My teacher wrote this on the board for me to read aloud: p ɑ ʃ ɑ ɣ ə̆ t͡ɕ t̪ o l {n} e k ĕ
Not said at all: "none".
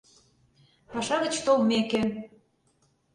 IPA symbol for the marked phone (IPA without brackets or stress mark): m